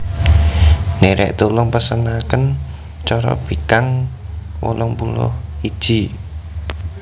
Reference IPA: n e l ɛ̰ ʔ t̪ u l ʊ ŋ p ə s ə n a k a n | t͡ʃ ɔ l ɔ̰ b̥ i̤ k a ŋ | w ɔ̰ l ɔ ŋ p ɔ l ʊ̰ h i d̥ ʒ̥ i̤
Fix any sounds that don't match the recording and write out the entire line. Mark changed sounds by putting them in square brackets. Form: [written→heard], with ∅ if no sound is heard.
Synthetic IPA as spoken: n e [l→ɾ] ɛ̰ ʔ t̪ u l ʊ ŋ p ə s ə n a k [a→ə] n | t͡ʃ ɔ [l→ɾ] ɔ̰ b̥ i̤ k a ŋ | w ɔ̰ l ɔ ŋ p [ɔ→u] l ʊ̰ h i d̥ ʒ̥ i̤